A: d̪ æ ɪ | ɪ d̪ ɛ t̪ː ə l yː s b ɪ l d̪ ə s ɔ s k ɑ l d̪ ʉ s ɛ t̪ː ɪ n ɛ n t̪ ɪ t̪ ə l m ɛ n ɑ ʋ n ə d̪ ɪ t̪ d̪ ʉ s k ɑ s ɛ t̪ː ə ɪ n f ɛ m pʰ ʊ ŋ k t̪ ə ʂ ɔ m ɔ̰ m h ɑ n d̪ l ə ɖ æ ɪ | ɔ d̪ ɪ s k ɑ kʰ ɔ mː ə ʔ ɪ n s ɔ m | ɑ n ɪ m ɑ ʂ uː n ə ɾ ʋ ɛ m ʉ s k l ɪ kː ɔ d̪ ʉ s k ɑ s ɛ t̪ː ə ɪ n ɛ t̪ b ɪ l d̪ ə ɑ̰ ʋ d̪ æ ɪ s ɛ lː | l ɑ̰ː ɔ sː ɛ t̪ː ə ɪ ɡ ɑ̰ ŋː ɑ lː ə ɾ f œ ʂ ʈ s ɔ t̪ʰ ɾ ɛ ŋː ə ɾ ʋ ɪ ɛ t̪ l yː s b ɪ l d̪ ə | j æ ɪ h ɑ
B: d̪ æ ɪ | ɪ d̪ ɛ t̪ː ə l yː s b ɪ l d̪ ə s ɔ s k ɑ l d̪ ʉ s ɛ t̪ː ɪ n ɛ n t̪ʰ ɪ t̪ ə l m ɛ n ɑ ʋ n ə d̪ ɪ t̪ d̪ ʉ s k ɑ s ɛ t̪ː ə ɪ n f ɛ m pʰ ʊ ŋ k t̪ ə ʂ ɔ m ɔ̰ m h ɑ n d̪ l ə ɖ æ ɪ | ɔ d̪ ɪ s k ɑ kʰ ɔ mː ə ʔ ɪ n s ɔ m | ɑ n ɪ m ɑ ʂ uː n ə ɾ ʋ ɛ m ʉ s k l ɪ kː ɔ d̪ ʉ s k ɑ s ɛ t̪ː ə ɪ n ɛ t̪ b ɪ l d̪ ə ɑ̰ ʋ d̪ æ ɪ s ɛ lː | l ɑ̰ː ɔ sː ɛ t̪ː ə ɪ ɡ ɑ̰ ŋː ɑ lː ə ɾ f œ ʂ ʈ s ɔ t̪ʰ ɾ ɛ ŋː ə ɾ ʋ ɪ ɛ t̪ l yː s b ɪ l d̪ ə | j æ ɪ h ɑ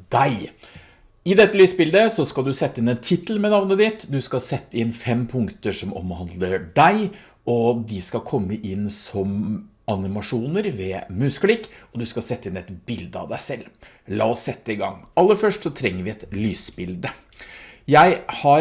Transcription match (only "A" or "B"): B